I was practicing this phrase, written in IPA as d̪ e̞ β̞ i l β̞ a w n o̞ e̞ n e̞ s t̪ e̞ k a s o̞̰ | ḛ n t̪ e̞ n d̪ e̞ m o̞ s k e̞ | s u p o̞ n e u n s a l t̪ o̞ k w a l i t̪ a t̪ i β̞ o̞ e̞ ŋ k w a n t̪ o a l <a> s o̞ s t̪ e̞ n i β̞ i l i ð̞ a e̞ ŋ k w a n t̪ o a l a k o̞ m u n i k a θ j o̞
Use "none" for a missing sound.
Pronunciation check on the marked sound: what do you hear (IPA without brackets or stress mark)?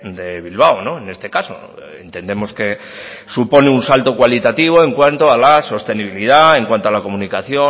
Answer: a